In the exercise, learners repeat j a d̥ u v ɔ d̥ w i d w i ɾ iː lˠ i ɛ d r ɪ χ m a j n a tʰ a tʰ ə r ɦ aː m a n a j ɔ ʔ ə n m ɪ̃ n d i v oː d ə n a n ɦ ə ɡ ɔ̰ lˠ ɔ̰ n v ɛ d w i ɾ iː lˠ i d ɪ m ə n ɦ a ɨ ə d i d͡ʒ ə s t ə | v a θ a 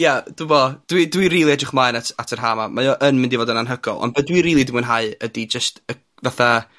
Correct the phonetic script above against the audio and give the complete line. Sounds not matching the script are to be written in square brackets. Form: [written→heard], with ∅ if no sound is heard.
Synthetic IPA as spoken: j a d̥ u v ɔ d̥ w i d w i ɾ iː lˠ i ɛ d r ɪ χ m a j n a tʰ a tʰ ə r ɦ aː m a [n→m] a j ɔ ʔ ə n m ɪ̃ n d i v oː d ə n a n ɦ ə ɡ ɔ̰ lˠ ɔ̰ n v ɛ d w i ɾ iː lˠ i d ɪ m ə n ɦ a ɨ ə d i d͡ʒ ə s t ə | v a θ a